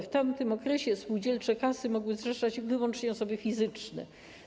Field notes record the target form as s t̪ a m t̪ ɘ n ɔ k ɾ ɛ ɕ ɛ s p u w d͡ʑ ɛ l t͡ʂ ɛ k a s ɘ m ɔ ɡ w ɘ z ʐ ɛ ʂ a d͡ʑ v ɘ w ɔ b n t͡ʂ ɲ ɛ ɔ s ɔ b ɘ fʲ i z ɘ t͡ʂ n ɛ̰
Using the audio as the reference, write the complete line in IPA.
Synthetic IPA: f t̪ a m t̪ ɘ m ɔ k ɾ ɛ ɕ ɛ s p u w d͡ʑ ɛ l t͡ʂ ɛ k a s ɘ m ɔ ɡ w ɘ z ʐ ɛ ʂ a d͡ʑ v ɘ w ɔ n t͡ʂ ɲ ɛ ɔ s ɔ b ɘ fʲ i z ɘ t͡ʂ n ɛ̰